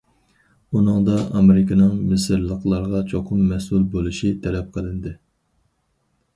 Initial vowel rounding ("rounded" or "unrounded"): rounded